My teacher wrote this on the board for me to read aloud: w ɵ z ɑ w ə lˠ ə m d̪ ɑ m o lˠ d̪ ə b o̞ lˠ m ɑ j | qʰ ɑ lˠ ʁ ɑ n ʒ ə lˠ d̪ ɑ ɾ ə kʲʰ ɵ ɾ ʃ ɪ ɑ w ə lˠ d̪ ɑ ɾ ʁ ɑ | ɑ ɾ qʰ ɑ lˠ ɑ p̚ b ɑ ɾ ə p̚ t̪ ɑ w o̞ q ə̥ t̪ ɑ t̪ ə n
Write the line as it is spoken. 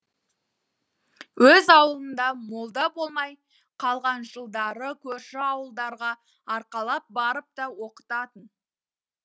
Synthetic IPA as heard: w ɵ z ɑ w ə lˠ ə n d̪ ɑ m o lˠ d̪ ɑ b o̞ lˠ m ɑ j | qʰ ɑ lˠ ʁ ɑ n ʒ ə lˠ d̪ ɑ ɾ ə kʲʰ ɵ ɾ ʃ ɪ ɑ w ə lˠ d̪ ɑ ɾ ʁ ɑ | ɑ ɾ q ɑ lˠ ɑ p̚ b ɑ ɾ ə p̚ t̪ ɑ w o̞ q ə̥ t̪ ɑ t̪ ə n